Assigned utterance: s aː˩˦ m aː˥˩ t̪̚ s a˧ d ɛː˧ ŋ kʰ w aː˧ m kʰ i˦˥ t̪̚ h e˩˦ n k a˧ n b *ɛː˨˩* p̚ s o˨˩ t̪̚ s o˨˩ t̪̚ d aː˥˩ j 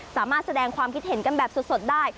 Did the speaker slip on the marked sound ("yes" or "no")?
no